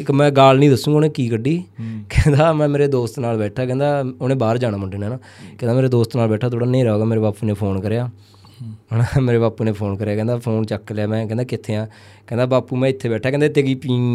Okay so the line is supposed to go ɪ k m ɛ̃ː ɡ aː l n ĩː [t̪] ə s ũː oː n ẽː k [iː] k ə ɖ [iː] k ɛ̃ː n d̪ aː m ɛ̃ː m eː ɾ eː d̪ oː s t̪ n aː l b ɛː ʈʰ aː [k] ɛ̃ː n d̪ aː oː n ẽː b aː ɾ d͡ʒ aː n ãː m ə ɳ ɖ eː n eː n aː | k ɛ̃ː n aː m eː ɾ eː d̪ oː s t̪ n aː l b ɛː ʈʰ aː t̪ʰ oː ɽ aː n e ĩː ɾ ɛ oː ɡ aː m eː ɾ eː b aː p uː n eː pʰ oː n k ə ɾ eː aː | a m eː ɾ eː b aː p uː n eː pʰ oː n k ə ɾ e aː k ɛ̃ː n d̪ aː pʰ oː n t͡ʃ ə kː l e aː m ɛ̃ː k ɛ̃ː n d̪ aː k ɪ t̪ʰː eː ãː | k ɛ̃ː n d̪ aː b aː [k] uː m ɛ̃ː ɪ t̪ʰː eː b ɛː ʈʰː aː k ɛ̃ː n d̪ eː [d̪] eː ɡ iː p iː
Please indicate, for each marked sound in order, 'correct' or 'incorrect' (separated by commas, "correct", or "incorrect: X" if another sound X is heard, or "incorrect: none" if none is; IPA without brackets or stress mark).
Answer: incorrect: d̪, correct, correct, correct, incorrect: p, incorrect: t̪